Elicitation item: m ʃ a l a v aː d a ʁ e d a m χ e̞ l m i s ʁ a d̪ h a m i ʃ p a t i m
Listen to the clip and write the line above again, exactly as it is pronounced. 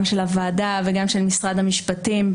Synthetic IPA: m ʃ e l a v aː d a v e ɡ a m ʃ e̞ l m i s ʁ a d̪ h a m i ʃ p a t i m